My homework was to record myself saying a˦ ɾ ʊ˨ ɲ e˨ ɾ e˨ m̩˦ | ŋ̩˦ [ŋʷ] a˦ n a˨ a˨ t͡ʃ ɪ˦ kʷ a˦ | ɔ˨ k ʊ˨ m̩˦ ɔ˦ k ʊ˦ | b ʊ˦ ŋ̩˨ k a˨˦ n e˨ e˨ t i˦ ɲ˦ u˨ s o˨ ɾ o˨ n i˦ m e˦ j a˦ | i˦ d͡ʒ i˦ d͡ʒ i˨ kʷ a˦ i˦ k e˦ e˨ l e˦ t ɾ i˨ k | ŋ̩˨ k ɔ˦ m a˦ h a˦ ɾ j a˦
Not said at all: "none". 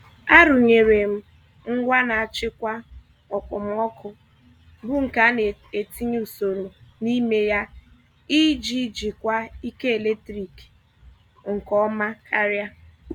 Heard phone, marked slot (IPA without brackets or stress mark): ɡʷ